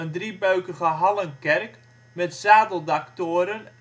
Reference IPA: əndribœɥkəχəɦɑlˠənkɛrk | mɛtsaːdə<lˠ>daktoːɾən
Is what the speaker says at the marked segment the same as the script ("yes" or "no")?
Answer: yes